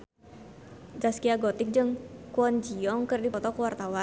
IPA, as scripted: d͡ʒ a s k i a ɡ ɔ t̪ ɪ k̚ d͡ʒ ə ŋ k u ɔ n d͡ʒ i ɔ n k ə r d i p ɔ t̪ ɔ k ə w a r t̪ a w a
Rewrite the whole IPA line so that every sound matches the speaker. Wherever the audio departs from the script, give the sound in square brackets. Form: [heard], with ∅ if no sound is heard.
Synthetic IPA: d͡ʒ a s k i a ɡ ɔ t̪ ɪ k̚ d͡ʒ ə ŋ k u ɔ n d͡ʒ i ɔ [ŋ] k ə r d i p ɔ t̪ ɔ k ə w a r t̪ a w a

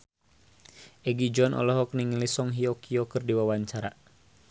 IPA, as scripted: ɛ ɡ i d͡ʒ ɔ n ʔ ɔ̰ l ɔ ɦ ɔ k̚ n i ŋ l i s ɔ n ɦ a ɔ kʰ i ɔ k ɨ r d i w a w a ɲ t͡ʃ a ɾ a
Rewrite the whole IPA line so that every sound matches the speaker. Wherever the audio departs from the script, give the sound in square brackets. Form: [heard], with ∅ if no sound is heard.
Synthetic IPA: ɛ ɡ i d͡ʒ ɔ n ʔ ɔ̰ l ɔ ɦ ɔ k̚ n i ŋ l i s ɔ [ŋ] ɦ [i] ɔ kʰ i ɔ k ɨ r d i w a w a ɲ t͡ʃ a ɾ a

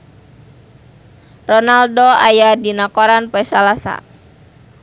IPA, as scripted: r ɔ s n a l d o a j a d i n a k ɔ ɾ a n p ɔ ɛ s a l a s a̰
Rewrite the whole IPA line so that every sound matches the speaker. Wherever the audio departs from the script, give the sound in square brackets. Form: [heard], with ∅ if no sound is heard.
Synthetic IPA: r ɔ [∅] n a l d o a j a d i n a k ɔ ɾ a n p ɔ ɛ s a l a s a̰

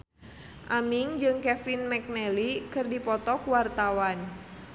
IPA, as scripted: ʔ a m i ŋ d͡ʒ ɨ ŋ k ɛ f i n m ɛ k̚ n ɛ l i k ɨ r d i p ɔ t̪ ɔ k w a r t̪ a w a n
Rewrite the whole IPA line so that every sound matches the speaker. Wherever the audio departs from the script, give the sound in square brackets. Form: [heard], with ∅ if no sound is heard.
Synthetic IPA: ʔ a m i ŋ d͡ʒ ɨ ŋ k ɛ f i n m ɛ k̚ n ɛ l i k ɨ r d i p ɔ t̪ ɔ k w a r t̪ a w a n

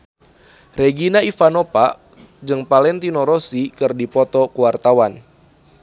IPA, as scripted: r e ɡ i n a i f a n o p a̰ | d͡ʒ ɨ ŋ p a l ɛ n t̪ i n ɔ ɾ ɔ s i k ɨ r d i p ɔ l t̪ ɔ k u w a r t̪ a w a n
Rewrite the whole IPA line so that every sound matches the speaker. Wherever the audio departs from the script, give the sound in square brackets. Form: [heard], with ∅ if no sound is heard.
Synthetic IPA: r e ɡ i n a i f a n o p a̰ | d͡ʒ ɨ ŋ p a l ɛ n t̪ i n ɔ ɾ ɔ s i k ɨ r d i p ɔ [∅] t̪ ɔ k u w a r t̪ a w a n

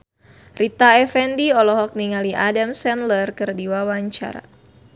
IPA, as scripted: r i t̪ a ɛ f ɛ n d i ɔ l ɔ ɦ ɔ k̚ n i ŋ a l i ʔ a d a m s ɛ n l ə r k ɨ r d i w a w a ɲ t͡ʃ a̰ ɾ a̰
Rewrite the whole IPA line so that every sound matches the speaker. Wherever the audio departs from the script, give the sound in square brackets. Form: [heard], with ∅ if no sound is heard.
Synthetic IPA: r i t̪ a ɛ f ɛ n d i ɔ l ɔ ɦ ɔ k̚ n i ŋ a l i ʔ a d a m s ɛ n l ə r k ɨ r d i w a w a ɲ t͡ʃ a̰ ɾ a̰

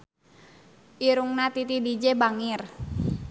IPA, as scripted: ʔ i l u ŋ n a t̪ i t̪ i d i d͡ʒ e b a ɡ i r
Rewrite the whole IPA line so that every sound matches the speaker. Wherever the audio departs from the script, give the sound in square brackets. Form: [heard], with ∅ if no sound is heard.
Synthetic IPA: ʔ i [ɾ] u ŋ n a t̪ i t̪ i d i d͡ʒ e b a [ŋ] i r

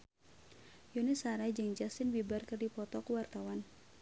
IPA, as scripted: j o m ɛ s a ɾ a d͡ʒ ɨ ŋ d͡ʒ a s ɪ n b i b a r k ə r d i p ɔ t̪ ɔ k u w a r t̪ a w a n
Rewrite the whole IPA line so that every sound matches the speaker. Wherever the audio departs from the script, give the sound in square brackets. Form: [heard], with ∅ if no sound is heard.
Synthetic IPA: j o [n] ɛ s a ɾ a d͡ʒ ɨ ŋ d͡ʒ a s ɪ n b i b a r k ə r d i p ɔ t̪ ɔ k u w a r t̪ a w a n

